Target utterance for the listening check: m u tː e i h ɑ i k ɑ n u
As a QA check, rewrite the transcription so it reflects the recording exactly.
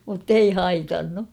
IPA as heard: m u tː e i h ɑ i t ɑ nː u